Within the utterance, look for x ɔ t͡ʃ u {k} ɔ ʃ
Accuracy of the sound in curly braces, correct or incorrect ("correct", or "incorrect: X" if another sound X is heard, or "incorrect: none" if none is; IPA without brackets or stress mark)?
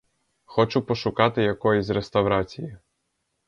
incorrect: p